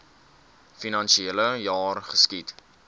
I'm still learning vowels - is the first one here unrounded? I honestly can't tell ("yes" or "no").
yes